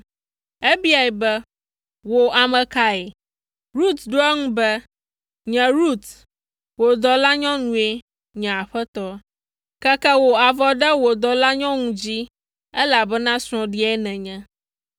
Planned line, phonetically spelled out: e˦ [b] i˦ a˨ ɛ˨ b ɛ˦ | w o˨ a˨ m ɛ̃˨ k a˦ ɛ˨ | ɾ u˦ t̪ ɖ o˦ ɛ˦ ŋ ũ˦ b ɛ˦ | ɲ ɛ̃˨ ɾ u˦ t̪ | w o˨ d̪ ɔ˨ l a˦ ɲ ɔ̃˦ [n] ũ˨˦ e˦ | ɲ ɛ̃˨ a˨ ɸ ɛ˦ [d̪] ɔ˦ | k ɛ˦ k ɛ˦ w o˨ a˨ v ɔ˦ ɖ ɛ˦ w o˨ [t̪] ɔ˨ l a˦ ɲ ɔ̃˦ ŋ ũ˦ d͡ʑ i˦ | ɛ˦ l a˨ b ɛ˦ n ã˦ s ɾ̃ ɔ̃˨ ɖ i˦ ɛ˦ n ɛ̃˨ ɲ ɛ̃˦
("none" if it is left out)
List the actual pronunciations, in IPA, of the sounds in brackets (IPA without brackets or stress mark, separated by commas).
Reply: b, n, t̪, d̪